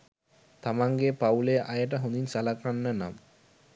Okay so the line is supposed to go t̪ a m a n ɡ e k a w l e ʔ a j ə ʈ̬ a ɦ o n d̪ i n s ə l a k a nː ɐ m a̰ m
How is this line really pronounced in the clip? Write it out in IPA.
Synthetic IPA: t̪ a m a ŋ ɡ e p a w l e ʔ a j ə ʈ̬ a ɦ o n d̪ i n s a l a k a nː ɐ n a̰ m